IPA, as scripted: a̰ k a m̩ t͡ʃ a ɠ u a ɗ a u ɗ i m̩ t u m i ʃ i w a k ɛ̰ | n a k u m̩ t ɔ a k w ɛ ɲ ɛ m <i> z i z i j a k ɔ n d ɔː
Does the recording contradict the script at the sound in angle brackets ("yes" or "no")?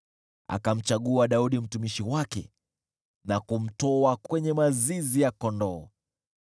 yes